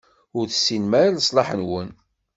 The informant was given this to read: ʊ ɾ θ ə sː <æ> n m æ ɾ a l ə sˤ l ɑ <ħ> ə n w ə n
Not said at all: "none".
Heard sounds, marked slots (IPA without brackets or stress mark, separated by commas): i, ħ